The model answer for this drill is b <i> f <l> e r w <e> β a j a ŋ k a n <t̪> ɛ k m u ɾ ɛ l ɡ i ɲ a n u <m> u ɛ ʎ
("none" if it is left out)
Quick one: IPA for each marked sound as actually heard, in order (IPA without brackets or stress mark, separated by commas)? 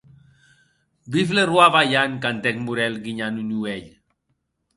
i, l, a, t̪, n